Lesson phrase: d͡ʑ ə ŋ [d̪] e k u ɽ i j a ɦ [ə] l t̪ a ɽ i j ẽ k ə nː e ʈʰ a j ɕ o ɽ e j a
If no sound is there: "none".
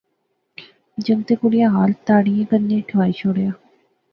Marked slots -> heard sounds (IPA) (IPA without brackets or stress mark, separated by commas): t̪, a